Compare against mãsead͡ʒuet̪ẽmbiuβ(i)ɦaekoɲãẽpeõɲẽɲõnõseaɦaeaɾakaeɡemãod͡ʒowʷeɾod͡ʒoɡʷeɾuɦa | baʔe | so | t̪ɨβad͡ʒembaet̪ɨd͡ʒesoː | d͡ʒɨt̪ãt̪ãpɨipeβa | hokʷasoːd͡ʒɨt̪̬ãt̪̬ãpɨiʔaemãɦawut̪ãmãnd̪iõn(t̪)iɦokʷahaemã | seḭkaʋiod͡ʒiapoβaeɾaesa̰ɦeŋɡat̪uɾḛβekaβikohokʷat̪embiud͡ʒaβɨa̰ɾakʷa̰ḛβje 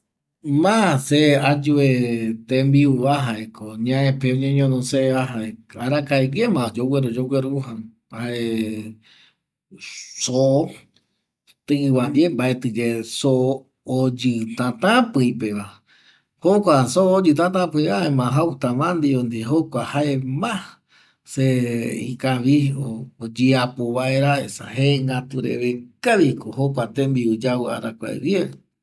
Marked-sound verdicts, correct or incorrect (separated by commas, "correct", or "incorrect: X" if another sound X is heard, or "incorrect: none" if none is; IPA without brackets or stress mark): incorrect: a, incorrect: d̪